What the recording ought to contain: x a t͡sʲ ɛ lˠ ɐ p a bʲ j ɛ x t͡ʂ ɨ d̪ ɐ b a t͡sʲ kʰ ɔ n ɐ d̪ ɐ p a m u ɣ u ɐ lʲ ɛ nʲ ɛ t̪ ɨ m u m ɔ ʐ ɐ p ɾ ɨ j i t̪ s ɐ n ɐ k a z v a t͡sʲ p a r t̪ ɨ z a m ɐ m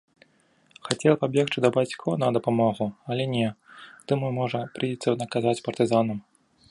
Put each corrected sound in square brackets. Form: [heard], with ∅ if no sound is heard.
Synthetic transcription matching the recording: x a t͡sʲ ɛ lˠ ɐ p a bʲ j ɛ x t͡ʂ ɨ d̪ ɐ b a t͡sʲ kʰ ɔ n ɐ d̪ ɐ p a m [ɔ] ɣ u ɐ lʲ ɛ nʲ ɛ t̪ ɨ m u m ɔ ʐ ɐ p ɾ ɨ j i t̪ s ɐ n ɐ k a z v a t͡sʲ p [ɐ] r t̪ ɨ z a [n] ɐ m